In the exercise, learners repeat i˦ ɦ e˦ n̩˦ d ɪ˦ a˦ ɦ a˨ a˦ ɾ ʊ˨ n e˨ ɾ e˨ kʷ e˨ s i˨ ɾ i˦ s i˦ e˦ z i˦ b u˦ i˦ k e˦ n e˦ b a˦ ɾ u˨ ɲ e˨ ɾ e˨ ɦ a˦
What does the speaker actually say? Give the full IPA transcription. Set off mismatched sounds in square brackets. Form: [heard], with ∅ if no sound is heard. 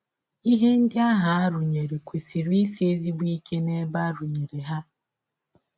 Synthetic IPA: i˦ ɦ e˦ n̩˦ d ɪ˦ a˦ ɦ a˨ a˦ ɾ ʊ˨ [ɲ] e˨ ɾ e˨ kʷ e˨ s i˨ ɾ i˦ s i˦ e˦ z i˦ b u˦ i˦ k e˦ n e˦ b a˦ ɾ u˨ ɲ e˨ ɾ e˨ ɦ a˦